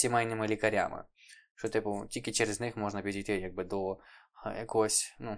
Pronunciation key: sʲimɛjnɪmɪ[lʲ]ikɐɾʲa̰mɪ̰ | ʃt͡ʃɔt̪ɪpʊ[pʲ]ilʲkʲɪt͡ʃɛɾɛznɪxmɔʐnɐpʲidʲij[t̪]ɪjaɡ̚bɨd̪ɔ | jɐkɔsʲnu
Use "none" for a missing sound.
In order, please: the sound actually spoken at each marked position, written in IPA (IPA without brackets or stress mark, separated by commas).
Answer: lʲ, tʲ, t̪